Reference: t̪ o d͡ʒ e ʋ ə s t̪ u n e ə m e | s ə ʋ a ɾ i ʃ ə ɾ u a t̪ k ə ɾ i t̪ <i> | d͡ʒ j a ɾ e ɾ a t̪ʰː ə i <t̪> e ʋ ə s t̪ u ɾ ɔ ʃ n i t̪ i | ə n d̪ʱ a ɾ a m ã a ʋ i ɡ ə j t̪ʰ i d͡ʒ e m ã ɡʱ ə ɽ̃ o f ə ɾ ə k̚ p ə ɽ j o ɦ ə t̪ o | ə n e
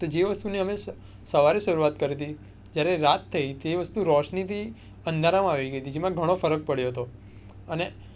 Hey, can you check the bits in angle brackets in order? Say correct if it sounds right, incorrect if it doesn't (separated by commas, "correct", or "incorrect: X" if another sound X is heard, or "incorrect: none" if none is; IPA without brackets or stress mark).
correct, correct